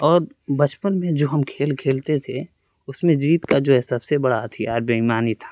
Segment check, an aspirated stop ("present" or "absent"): present